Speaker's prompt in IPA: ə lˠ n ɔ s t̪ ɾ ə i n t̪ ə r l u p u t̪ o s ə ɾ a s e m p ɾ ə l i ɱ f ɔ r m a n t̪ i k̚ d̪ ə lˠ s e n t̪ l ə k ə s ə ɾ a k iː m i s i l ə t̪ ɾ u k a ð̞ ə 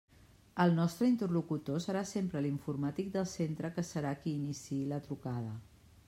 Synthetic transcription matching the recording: ə lˠ n ɔ s t̪ ɾ ə i n t̪ ə r l u k u t̪ o s ə ɾ a s e m p ɾ ə l i ɱ f u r m a t̪ i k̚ d̪ ə lˠ s e n t̪ ɾ ə k ə s ə ɾ a k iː n i s i l ə t̪ ɾ u k a ð̞ ə